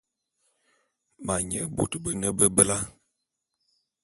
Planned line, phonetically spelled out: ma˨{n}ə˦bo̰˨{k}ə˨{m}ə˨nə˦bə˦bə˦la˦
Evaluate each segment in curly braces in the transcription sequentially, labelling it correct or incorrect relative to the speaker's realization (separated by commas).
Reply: incorrect, incorrect, incorrect